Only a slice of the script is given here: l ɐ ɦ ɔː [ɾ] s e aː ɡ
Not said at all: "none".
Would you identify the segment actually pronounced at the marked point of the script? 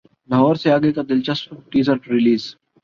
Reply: ɾ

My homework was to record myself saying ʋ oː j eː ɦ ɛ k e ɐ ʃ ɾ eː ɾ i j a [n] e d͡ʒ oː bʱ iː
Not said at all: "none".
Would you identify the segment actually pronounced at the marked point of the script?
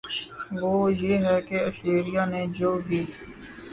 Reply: n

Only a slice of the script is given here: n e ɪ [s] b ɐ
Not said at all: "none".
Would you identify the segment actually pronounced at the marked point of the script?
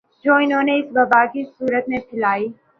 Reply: s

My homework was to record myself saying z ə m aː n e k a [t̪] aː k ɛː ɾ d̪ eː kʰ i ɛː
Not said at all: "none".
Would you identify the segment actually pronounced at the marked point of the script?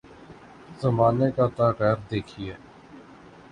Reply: t̪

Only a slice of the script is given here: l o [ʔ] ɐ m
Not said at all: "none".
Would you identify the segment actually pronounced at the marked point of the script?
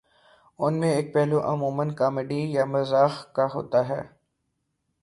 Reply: ʔ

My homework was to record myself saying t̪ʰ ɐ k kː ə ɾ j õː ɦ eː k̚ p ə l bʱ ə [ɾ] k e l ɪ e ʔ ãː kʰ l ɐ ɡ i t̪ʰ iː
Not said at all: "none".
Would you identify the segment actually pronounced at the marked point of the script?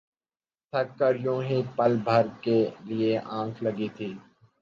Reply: ɾ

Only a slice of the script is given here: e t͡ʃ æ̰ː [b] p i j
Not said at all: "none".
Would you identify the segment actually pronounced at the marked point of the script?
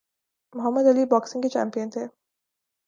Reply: m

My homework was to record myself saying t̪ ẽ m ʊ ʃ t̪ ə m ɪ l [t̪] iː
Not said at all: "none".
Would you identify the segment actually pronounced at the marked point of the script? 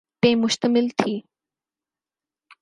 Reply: t̪ʰ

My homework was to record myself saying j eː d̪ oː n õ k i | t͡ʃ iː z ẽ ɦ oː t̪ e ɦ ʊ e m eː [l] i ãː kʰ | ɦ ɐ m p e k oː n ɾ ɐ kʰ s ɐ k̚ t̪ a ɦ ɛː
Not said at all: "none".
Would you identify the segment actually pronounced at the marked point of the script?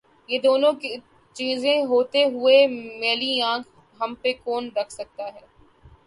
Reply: l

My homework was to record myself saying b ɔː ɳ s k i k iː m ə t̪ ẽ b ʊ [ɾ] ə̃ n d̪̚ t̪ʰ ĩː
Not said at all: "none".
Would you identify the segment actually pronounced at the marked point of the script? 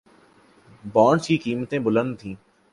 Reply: l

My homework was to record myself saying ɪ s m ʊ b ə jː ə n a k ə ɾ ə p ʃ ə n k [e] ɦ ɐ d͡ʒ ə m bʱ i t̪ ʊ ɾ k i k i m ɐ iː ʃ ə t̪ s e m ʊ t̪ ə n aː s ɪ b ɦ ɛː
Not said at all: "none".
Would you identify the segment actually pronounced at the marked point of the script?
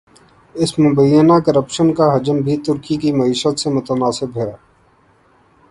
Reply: a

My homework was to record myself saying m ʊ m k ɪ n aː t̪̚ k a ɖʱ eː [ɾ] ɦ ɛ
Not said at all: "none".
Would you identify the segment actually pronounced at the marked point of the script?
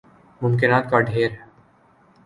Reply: ɾ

